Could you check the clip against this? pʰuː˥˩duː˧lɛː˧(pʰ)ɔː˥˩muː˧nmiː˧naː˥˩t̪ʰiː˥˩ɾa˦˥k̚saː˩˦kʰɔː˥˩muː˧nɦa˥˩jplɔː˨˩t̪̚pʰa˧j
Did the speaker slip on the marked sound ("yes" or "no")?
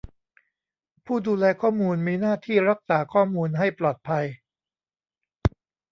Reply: yes